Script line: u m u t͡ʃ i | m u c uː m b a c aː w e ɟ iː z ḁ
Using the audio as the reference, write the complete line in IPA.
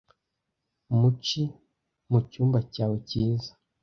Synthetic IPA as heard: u m u t͡ʃ i | m u c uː m b a c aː w e c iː z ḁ